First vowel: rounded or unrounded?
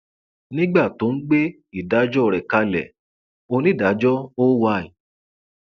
unrounded